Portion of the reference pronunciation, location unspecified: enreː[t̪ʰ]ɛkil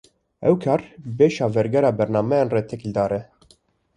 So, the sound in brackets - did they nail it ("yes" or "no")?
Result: yes